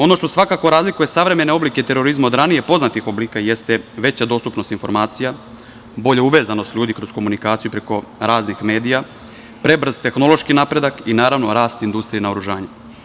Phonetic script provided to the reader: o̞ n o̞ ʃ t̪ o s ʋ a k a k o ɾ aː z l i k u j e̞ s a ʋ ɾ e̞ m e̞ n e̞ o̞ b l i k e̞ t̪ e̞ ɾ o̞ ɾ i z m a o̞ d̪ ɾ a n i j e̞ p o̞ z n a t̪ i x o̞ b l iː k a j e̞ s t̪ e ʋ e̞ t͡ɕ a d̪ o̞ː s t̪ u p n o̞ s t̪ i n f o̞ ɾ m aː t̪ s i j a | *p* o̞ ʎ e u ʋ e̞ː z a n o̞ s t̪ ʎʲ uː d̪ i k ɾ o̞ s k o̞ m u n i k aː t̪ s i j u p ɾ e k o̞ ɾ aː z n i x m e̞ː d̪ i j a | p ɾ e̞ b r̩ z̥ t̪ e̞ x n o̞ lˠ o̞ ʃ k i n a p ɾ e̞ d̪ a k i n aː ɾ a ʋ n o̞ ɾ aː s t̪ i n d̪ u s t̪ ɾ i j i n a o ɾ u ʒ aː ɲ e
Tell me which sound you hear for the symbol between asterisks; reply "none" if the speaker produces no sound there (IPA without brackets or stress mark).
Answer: b